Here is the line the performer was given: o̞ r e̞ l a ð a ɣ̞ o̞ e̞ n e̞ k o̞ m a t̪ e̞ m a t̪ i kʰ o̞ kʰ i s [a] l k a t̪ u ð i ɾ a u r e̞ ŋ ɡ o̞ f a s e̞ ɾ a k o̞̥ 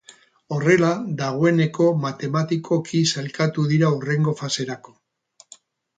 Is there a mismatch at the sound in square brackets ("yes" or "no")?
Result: no